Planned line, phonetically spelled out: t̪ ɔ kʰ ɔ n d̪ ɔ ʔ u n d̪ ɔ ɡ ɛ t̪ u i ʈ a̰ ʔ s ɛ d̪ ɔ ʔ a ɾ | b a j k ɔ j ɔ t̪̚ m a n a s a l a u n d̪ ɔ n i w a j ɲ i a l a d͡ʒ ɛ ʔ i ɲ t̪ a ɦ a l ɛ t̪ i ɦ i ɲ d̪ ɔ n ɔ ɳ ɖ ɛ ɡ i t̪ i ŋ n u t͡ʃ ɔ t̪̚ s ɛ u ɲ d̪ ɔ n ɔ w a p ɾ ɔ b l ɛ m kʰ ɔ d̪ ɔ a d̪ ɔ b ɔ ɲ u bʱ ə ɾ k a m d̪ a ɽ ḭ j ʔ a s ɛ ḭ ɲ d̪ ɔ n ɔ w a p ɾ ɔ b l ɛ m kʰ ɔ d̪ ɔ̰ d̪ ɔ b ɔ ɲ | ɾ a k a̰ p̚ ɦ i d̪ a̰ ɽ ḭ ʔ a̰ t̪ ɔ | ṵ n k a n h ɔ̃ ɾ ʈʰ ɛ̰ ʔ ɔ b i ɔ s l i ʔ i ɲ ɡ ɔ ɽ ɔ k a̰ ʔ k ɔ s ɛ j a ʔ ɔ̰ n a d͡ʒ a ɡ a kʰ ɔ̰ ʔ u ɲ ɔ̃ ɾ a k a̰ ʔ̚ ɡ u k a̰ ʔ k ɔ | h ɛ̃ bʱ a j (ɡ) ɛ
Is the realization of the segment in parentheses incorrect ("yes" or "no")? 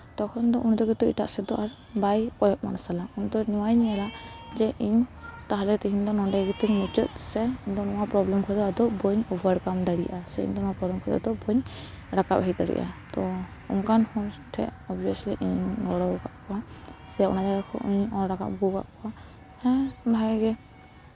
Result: no